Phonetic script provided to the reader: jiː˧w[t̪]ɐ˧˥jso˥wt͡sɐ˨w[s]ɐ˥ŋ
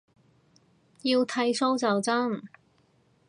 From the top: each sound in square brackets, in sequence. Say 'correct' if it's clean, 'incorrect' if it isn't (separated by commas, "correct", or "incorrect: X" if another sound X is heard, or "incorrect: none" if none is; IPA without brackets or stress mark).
incorrect: t̪ʰ, incorrect: t͡s